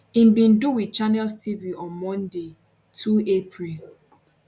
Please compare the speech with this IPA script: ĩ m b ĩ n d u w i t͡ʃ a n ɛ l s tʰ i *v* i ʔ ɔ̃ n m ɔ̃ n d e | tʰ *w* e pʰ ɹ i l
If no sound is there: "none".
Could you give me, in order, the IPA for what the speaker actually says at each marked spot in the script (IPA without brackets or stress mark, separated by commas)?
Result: v, u